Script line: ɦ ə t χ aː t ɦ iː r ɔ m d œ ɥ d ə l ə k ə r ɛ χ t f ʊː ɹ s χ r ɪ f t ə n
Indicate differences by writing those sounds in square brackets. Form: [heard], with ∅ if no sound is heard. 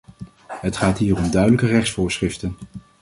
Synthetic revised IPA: ɦ ə t χ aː t ɦ iː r ɔ m d œ ɥ d ə l ə k ə r ɛ χ [s] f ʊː ɹ s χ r ɪ f t ə n

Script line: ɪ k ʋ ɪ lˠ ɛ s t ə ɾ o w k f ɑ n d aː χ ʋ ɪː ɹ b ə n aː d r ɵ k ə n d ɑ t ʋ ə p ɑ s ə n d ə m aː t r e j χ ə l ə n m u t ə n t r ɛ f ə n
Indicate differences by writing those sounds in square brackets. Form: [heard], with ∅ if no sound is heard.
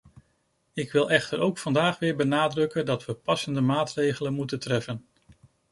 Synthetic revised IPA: ɪ k ʋ ɪ lˠ ɛ [χ] t ə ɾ o w k f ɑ n d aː χ ʋ ɪː ɹ b ə n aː d r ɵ k ə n d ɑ t ʋ ə p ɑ s ə n d ə m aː t r e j χ ə l ə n m u t ə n t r ɛ f ə n

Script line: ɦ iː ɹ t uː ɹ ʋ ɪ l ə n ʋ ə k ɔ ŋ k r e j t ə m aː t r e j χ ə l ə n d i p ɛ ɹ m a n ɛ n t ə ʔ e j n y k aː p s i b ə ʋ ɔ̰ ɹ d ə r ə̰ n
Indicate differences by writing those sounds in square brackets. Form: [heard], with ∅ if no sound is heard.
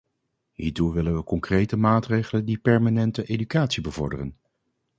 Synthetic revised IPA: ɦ iː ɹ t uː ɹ ʋ ɪ l ə n ʋ ə k ɔ ŋ k r e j t ə m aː t r e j χ ə l ə n d i p ɛ ɹ m a n ɛ n t ə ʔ e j [d] y k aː [t] s i b ə [v] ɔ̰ ɹ d ə r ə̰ n

